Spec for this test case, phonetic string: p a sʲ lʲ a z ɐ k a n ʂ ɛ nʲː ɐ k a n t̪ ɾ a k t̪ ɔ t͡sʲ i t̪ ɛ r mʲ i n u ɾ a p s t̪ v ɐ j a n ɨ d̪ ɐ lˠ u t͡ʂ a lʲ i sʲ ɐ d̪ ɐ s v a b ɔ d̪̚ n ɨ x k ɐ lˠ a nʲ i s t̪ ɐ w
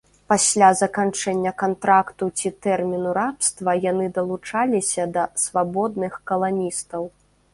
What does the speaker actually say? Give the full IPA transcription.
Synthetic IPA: p a sʲ lʲ a z ɐ k a n t͡ʂ ɛ nʲː ɐ k a n t̪ ɾ a k t̪ u t͡sʲ i t̪ ɛ r mʲ i n u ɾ a p s t̪ v ɐ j a n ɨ d̪ ɐ lˠ u t͡ʂ a lʲ i sʲ ɐ d̪ ɐ s v a b ɔ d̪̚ n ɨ x k ɐ lˠ a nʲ i s t̪ ɐ w